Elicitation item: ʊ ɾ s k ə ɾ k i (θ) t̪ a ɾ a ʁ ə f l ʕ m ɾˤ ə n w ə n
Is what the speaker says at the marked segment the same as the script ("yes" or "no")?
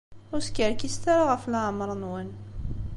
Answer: no